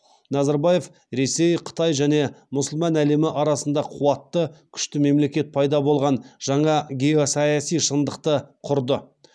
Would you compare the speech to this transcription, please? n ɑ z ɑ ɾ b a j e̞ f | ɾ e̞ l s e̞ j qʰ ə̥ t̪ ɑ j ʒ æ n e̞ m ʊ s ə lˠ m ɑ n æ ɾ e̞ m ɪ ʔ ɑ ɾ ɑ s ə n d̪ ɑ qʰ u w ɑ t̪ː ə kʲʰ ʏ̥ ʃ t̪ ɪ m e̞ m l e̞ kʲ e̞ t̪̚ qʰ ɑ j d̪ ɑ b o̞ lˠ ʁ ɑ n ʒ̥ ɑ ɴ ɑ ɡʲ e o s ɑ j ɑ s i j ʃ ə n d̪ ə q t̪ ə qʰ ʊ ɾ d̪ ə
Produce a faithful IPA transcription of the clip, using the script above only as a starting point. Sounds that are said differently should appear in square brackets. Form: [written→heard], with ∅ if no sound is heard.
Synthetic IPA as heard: n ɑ z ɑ ɾ b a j e̞ f | ɾ e̞ [l→∅] s e̞ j qʰ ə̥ t̪ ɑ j ʒ æ n e̞ m ʊ s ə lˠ m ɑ n æ [ɾ→l] e̞ m ɪ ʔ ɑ ɾ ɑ s ə n d̪ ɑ qʰ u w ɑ t̪ː ə kʲʰ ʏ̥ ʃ t̪ ɪ m e̞ m l e̞ kʲ e̞ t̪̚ [qʰ→pʰ] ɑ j d̪ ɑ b o̞ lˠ ʁ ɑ n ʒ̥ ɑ ɴ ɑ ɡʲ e o s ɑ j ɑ s i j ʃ ə n d̪ ə q t̪ ə qʰ ʊ ɾ d̪ ə

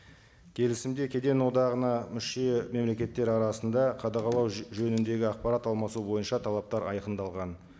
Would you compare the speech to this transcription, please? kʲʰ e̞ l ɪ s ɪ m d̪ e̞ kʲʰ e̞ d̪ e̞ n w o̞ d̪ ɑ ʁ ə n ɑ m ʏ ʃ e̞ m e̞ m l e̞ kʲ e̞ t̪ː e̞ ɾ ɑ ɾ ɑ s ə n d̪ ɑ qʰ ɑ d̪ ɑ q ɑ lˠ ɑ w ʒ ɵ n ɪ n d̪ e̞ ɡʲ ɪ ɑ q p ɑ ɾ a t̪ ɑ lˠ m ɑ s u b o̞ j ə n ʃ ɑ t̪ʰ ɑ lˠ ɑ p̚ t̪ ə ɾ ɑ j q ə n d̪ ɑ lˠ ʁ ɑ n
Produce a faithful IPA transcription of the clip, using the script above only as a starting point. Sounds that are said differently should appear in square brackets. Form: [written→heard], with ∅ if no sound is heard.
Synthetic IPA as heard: kʲʰ e̞ l ɪ s ɪ m d̪ e̞ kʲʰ e̞ d̪ e̞ n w o̞ d̪ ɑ ʁ ə n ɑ m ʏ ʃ e̞ m e̞ m l e̞ kʲ e̞ t̪ː e̞ ɾ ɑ ɾ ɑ s ə n d̪ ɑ qʰ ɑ d̪ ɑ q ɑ lˠ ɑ w ʒ ɵ n ɪ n d̪ e̞ ɡʲ ɪ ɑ q p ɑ ɾ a t̪ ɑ lˠ m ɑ s u b o̞ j ə n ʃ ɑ t̪ʰ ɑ lˠ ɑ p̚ t̪ [ə→ɑ] ɾ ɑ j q ə n d̪ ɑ lˠ ʁ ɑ n

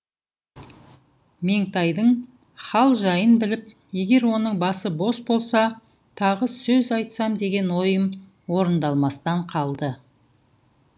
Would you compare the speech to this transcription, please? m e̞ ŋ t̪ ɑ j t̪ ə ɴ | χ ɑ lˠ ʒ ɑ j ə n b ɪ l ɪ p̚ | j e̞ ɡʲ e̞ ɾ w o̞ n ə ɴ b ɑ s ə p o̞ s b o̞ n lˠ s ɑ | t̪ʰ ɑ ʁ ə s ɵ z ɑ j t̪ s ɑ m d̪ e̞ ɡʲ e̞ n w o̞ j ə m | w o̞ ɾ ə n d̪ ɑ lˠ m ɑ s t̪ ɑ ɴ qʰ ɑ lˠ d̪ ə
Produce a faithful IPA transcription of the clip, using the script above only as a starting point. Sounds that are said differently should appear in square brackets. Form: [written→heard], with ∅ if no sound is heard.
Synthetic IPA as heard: m e̞ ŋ t̪ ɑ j [t̪→d̪] ə ɴ | χ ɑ lˠ ʒ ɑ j ə n b ɪ l ɪ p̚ | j e̞ ɡʲ e̞ ɾ w o̞ n ə ɴ b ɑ s ə [p→b] o̞ s b o̞ [n→∅] lˠ s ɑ | t̪ʰ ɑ ʁ ə s ɵ z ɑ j t̪ s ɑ m d̪ e̞ ɡʲ e̞ n w o̞ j ə m | w o̞ ɾ ə n d̪ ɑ lˠ m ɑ s t̪ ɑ ɴ qʰ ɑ lˠ d̪ ə

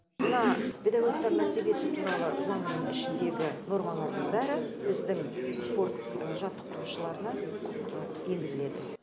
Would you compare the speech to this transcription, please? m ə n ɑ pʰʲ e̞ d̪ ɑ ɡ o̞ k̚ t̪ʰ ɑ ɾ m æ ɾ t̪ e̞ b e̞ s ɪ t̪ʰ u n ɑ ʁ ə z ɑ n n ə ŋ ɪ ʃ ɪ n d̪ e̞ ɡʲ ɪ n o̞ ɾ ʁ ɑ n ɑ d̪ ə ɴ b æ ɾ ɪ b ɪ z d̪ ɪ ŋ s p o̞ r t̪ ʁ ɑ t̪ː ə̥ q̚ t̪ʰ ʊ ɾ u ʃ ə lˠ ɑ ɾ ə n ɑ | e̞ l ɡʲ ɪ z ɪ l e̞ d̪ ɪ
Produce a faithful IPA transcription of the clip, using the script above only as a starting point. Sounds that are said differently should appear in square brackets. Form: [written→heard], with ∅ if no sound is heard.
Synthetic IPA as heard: m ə n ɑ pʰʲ e̞ d̪ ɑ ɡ o̞ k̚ [t̪ʰ→t̪] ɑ ɾ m æ ɾ t̪ e̞ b e̞ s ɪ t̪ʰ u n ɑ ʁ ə z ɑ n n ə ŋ ɪ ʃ ɪ n d̪ e̞ ɡʲ ɪ n o̞ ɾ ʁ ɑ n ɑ d̪ ə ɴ b æ ɾ ɪ b ɪ z d̪ ɪ ŋ s p o̞ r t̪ [ʁ→ʒ] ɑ t̪ː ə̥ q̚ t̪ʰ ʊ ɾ u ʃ ə lˠ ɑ ɾ ə n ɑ | e̞ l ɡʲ ɪ z ɪ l e̞ d̪ ɪ

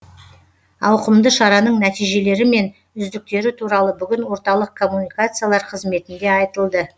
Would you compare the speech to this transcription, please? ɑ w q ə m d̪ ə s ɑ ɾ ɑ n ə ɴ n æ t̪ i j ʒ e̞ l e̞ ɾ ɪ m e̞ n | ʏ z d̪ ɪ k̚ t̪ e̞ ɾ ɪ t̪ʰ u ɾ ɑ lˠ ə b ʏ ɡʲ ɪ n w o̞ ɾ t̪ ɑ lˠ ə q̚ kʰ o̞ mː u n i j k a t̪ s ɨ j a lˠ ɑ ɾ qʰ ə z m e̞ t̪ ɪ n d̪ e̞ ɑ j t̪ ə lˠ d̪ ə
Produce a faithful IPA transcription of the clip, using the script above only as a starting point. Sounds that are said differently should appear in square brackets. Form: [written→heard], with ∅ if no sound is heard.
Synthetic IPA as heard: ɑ w q ə m d̪ ə [s→ʃ] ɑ ɾ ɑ n ə ɴ n æ t̪ i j ʒ e̞ l e̞ ɾ ɪ m e̞ n | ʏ z d̪ ɪ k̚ t̪ e̞ ɾ ɪ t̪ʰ u ɾ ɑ lˠ ə b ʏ ɡʲ ɪ n w o̞ ɾ t̪ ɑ lˠ ə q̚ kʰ o̞ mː u n i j k a t̪ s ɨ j a lˠ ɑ ɾ qʰ ə z m e̞ t̪ ɪ n d̪ e̞ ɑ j t̪ ə lˠ d̪ ə

